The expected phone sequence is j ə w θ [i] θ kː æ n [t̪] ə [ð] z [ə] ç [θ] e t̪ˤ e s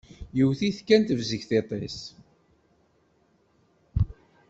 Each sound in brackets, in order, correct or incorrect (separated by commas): correct, correct, incorrect, correct, correct